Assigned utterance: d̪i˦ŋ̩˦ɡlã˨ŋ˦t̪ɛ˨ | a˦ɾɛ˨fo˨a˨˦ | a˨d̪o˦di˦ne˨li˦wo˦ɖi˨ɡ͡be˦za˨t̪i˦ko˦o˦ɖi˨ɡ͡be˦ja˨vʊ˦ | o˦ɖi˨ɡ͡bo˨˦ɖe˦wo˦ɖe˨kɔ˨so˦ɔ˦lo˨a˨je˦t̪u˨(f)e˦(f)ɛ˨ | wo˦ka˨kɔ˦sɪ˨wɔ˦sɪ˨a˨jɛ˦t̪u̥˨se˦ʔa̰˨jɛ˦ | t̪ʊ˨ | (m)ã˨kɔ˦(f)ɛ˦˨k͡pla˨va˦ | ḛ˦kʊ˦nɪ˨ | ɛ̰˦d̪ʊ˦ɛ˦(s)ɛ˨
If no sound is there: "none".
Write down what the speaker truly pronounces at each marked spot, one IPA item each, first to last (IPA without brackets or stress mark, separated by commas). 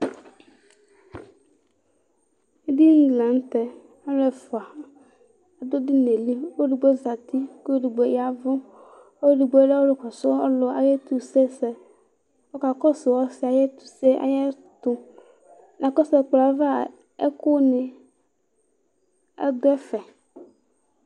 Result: s, s, n, s, f